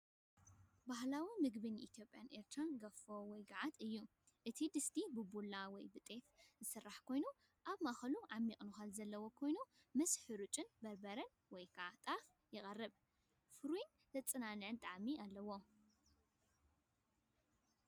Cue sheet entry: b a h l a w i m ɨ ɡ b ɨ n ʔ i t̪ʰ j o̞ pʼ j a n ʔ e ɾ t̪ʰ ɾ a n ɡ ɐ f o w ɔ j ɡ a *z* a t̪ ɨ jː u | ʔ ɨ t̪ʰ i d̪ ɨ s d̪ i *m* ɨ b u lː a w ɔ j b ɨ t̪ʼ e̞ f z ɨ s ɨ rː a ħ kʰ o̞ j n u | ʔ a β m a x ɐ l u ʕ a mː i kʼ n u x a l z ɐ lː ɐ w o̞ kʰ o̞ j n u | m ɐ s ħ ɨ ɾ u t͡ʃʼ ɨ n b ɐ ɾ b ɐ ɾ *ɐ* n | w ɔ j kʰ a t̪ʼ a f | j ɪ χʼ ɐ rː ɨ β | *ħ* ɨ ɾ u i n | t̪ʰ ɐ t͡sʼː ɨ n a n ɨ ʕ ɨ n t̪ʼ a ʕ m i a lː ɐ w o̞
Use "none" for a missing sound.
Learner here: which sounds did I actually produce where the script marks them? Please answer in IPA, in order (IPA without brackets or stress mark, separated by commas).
ʕ, b, ɐ, f